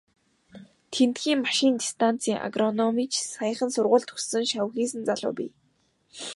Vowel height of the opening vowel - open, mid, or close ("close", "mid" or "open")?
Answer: mid